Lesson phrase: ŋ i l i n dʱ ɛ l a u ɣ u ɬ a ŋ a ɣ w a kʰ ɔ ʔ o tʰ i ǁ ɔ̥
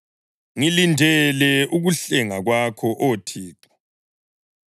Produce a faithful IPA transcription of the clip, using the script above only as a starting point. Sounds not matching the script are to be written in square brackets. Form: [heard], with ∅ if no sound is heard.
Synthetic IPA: ŋ i l i n dʱ ɛ l [ɛ] u ɣ u ɬ [ɛ] ŋ a ɣ w a kʰ ɔ ʔ o tʰ [iː] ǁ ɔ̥